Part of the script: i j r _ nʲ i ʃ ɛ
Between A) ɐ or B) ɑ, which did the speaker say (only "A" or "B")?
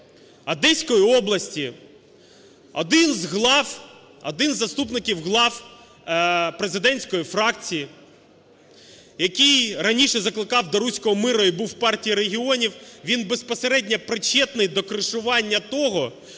A